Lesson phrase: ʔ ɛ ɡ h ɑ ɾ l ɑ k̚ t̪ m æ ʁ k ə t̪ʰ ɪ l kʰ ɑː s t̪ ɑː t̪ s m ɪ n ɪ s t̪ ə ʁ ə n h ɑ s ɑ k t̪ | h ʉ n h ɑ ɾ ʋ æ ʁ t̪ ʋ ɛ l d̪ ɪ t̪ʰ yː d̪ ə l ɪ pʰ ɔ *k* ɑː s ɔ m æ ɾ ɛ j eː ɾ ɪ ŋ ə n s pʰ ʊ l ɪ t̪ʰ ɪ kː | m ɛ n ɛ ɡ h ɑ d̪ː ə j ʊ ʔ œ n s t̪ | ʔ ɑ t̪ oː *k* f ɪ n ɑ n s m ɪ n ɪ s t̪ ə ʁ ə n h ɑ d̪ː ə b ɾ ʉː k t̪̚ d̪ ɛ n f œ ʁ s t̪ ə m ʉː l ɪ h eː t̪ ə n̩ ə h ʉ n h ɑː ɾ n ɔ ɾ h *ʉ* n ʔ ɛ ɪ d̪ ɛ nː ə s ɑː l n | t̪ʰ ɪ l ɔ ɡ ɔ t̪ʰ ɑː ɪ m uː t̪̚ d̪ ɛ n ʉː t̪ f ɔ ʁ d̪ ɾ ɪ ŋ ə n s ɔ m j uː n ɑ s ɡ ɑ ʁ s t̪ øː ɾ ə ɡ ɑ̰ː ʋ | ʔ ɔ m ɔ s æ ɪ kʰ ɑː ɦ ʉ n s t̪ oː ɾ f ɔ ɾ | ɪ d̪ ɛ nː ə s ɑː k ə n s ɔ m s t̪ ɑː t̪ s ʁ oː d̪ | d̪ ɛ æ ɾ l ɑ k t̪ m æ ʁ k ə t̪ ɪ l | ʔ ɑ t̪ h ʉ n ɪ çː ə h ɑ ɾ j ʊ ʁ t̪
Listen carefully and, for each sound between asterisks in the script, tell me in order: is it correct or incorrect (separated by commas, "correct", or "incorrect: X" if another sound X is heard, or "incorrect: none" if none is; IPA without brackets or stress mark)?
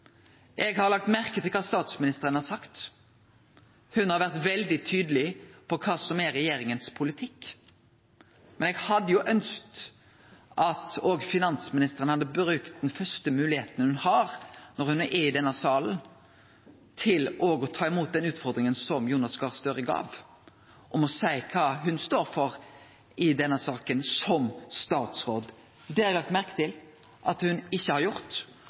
incorrect: kʰ, incorrect: ɡ, correct